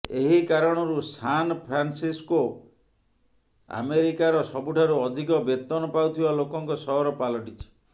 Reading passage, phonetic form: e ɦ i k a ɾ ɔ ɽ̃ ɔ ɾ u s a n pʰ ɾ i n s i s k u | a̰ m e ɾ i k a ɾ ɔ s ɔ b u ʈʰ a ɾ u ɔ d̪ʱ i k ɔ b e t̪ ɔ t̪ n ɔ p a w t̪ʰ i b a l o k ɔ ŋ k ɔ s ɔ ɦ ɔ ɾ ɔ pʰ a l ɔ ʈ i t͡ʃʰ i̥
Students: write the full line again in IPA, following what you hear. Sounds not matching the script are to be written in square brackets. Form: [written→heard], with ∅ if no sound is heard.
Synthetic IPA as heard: e ɦ i k a ɾ ɔ ɽ̃ ɔ ɾ u s a n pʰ ɾ [i→a] n s i s k [u→o] | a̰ m e ɾ i k a ɾ ɔ s ɔ b u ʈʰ a ɾ u ɔ d̪ʱ i k ɔ b e t̪ ɔ [t̪→∅] n ɔ p a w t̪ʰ i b a l o k ɔ ŋ k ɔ s ɔ ɦ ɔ ɾ ɔ [pʰ→p] a l ɔ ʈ i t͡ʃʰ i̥